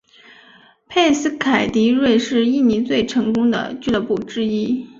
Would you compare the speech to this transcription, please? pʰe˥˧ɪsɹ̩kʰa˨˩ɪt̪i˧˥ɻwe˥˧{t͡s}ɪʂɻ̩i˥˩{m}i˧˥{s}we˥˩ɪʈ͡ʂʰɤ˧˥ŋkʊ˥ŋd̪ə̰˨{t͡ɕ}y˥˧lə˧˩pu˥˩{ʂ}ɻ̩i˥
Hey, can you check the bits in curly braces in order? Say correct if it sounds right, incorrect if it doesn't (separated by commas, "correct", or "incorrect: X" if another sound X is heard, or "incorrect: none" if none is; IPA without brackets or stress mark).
incorrect: none, incorrect: n, incorrect: t͡s, correct, incorrect: ʈ͡ʂ